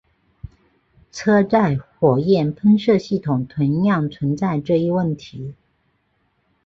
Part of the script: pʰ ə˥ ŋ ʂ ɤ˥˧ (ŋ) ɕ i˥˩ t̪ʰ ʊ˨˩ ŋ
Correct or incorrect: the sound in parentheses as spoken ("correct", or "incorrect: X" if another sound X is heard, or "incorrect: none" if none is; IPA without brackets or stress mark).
incorrect: none